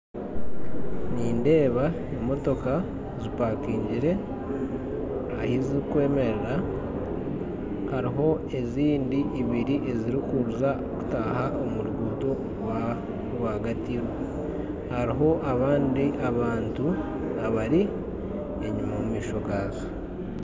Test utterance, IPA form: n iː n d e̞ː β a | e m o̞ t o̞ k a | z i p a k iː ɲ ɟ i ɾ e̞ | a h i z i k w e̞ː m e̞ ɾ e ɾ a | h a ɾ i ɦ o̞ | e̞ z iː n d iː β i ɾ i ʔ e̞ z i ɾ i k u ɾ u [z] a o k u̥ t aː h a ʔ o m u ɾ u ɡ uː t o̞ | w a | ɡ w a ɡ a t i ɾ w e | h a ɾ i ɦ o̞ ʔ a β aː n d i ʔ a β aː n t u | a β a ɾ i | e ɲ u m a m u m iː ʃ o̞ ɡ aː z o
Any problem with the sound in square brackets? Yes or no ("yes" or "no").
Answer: no